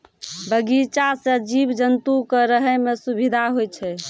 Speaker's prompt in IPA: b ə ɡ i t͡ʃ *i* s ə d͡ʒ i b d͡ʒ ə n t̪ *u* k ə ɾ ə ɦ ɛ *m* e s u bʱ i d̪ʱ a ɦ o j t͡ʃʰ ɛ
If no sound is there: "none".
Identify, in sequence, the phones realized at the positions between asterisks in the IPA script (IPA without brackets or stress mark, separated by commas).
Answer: a, u, m